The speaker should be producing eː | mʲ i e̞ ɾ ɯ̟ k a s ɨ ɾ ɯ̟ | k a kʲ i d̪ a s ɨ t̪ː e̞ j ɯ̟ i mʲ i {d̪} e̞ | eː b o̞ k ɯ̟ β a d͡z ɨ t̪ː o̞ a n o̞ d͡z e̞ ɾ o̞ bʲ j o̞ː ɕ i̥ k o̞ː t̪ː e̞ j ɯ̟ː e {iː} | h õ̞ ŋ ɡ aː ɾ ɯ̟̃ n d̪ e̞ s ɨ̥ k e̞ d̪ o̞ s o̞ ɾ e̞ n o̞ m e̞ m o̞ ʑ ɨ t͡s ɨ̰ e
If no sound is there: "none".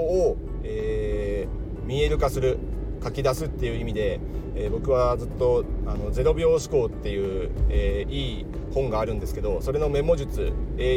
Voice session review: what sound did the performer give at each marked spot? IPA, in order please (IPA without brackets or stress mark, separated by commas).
d̪, iː